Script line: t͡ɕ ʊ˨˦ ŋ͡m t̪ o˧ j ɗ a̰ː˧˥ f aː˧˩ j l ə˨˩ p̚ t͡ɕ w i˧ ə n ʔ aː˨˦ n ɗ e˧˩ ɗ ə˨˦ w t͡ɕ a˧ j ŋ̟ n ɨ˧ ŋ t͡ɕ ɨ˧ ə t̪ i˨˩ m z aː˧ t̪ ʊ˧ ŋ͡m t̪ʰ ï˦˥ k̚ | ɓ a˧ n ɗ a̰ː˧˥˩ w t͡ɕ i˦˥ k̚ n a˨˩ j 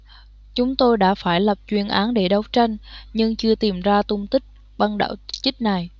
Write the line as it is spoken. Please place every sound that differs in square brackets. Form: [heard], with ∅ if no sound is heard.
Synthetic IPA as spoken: t͡ɕ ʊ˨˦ ŋ͡m t̪ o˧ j ɗ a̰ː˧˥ f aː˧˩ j l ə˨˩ p̚ t͡ɕ w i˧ ə n ʔ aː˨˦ n ɗ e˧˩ ɗ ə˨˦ w t͡ɕ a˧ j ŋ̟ [ɲ] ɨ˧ ŋ t͡ɕ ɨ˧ ə t̪ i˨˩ m z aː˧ t̪ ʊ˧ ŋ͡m [t̪] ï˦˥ k̚ | ɓ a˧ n ɗ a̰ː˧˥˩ w t͡ɕ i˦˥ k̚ n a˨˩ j